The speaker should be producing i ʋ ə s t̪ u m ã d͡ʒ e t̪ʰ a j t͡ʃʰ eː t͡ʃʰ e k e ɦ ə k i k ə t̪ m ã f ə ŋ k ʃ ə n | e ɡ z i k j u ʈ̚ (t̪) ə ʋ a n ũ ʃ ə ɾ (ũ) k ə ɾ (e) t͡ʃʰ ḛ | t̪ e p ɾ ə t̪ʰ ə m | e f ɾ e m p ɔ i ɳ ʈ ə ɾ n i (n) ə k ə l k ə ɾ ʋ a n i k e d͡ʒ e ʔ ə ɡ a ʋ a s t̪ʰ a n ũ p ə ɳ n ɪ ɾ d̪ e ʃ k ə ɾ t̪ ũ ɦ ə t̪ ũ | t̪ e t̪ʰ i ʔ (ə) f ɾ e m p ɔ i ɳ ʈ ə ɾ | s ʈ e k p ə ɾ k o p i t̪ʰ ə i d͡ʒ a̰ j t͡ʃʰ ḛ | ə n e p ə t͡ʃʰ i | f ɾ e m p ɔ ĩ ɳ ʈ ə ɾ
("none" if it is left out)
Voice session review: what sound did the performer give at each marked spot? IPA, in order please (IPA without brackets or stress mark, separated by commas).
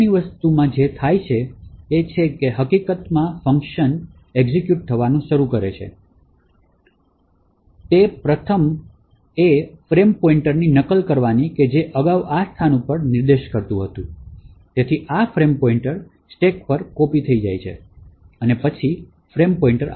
t̪ʰ, u, e, n, a